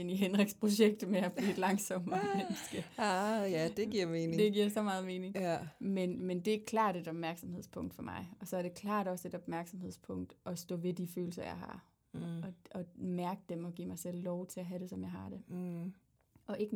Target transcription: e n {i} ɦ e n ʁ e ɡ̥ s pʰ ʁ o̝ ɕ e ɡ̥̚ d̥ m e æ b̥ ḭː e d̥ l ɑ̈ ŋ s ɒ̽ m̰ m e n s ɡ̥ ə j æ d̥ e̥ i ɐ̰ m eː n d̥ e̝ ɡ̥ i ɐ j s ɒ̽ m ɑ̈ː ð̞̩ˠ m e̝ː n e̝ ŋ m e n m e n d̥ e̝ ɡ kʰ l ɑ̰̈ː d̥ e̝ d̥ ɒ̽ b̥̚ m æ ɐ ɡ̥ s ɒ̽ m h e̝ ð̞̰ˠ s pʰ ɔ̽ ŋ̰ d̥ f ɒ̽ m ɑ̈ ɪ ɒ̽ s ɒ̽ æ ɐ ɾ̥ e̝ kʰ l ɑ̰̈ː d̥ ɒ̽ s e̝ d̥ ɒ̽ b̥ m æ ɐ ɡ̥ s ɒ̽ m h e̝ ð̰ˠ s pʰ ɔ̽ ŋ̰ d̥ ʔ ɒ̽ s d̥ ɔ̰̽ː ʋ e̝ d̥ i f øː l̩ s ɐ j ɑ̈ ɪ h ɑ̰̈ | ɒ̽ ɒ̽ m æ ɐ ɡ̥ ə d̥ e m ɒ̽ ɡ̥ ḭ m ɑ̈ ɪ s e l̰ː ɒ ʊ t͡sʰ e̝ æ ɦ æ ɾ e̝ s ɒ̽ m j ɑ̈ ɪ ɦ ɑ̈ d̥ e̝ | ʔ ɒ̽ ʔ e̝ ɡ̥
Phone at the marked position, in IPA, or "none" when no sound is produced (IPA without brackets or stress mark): i